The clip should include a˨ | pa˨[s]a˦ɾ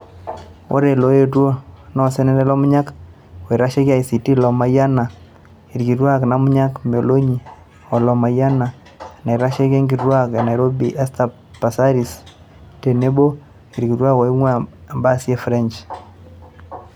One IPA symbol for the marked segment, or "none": s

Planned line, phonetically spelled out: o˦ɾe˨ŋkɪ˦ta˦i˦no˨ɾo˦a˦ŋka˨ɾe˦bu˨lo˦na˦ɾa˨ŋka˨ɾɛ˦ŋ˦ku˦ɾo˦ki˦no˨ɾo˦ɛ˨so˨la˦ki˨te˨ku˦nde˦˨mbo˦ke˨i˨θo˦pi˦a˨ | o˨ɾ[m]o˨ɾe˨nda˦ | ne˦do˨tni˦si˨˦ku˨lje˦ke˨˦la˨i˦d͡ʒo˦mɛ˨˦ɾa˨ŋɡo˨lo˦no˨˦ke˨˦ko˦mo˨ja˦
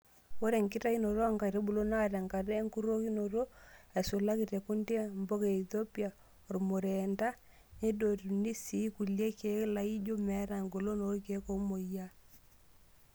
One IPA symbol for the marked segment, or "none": m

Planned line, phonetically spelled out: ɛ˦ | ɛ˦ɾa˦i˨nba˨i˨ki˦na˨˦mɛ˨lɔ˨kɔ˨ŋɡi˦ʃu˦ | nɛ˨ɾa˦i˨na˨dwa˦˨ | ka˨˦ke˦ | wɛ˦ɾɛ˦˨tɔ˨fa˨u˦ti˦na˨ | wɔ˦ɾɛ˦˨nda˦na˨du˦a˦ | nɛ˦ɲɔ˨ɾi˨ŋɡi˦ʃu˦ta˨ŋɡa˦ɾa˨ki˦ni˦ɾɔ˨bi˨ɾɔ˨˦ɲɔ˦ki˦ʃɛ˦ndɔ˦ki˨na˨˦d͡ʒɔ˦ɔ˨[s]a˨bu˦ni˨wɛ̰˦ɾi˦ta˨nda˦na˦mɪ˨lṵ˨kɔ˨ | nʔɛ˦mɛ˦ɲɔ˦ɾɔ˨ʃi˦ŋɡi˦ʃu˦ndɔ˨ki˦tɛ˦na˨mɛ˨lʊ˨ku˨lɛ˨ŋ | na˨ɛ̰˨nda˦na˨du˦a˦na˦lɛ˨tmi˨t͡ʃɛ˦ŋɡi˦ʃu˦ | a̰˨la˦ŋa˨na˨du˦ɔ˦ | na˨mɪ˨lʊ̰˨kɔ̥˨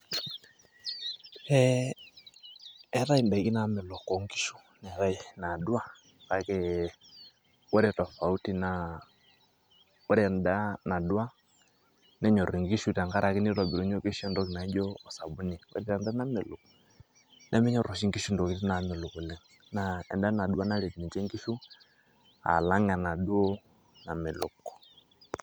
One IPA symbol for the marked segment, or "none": s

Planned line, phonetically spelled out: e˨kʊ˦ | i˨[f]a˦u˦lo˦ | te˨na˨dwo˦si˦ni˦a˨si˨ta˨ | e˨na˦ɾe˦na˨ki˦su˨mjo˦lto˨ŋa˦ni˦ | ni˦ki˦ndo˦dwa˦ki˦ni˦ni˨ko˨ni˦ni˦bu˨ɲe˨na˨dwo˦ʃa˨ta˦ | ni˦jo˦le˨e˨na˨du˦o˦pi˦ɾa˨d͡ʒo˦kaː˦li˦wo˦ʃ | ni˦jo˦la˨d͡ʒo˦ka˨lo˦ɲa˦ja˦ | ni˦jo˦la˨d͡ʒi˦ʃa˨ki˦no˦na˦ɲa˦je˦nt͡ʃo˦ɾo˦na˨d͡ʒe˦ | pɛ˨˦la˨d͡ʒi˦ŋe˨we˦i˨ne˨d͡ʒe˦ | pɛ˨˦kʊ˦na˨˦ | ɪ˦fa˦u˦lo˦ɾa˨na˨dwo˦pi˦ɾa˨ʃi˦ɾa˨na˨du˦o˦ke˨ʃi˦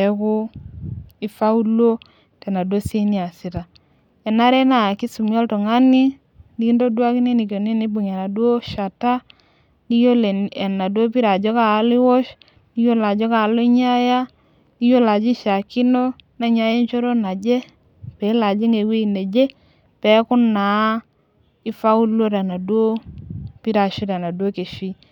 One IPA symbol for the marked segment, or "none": f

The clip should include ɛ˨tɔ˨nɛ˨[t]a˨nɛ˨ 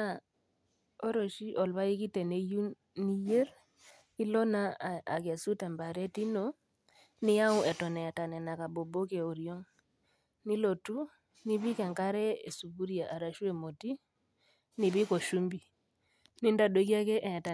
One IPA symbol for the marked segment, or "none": t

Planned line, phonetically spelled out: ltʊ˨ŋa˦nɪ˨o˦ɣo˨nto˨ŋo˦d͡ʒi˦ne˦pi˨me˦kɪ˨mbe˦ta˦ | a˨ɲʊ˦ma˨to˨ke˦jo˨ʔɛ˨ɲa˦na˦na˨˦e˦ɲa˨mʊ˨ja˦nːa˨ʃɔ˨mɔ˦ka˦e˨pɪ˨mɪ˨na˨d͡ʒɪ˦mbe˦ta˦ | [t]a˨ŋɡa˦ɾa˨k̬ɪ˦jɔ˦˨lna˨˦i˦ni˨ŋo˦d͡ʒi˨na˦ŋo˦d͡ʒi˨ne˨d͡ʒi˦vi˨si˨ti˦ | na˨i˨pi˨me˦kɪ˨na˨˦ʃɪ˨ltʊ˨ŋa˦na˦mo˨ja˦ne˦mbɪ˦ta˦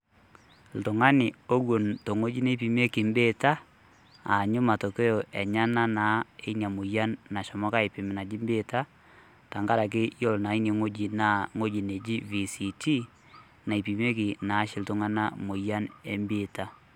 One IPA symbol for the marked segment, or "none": t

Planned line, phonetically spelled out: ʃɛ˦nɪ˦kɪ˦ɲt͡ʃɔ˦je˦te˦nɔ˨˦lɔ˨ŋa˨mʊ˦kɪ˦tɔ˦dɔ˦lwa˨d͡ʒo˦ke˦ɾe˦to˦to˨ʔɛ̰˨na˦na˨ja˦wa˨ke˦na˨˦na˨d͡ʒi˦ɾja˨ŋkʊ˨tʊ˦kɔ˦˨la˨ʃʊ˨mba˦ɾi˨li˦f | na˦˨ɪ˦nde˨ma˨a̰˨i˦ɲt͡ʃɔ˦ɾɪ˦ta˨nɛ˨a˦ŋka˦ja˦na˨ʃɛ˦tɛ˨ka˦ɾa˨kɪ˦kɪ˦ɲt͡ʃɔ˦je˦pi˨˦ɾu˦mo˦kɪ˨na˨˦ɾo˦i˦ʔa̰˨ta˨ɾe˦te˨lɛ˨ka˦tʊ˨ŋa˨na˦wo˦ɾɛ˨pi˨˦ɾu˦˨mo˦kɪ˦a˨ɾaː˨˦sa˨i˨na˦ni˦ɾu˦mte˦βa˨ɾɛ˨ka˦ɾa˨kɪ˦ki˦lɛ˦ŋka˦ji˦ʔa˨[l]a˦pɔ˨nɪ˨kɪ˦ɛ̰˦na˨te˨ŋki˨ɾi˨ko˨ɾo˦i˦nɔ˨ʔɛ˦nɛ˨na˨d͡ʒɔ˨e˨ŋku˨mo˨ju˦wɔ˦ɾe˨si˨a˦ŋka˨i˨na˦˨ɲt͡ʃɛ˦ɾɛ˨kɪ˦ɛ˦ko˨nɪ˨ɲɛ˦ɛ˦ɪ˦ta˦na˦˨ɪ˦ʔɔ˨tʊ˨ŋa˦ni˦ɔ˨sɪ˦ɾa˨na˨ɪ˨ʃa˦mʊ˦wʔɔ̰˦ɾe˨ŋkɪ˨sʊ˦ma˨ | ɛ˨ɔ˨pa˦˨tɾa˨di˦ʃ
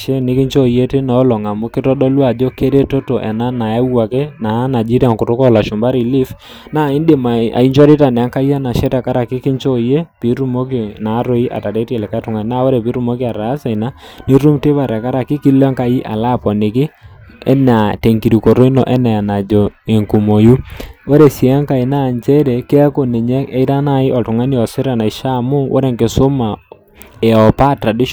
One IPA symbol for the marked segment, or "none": l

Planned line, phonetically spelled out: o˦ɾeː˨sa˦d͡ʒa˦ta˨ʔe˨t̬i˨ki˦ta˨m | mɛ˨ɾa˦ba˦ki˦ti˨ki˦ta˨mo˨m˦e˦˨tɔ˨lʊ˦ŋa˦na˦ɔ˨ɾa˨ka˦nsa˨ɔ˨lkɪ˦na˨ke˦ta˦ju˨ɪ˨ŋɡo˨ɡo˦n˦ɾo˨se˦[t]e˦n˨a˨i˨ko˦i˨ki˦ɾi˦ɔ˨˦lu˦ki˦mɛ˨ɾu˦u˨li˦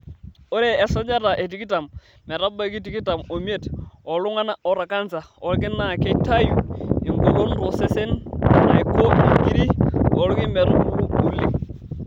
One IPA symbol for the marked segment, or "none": s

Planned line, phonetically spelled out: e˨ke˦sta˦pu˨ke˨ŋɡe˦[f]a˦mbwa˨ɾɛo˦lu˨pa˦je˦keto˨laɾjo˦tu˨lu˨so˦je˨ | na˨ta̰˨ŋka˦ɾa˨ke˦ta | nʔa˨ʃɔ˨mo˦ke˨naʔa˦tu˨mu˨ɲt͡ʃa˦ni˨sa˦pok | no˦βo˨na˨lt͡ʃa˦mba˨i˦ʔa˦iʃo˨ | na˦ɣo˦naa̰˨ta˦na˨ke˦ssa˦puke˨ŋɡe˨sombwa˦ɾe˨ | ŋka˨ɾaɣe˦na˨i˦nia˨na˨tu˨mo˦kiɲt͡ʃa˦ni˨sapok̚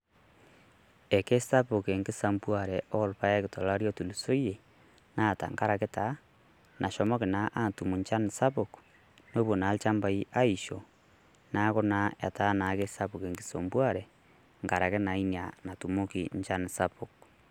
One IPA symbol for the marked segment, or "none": s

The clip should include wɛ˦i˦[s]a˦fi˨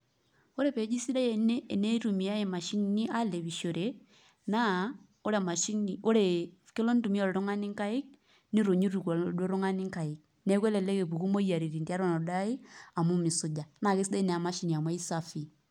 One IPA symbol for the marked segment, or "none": s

